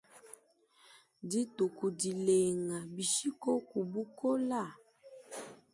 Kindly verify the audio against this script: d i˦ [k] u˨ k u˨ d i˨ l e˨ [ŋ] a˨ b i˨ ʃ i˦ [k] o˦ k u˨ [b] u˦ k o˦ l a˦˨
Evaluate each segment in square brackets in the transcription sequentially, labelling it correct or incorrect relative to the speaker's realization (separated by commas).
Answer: incorrect, correct, correct, correct